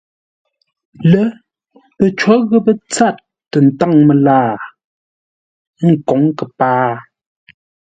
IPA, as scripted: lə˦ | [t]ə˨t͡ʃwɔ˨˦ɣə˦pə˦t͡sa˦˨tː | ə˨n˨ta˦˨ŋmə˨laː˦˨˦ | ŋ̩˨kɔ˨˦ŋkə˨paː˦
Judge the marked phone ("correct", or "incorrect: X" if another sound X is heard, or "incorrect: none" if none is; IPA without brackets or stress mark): incorrect: p